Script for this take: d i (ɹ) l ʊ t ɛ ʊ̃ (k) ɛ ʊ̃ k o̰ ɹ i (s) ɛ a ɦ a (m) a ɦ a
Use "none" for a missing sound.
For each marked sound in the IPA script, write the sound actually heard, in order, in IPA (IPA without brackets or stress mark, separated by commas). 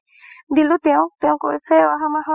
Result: none, t, s, m